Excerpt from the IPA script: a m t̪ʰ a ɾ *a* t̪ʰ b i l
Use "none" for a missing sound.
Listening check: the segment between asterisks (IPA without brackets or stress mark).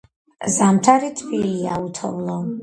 i